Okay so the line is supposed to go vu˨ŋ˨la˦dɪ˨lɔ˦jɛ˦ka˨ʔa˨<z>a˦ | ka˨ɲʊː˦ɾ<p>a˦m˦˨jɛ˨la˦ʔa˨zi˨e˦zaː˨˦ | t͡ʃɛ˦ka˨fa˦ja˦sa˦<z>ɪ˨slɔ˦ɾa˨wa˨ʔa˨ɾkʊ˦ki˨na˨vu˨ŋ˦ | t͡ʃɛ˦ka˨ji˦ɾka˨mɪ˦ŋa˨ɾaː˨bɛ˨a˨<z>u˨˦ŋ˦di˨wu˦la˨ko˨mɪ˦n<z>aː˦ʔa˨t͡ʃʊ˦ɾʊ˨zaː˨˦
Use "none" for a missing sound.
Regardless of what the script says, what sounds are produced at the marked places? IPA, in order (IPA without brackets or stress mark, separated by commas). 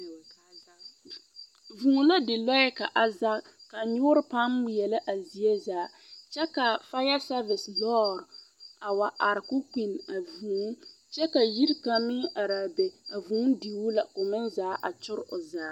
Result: z, p, v, v, z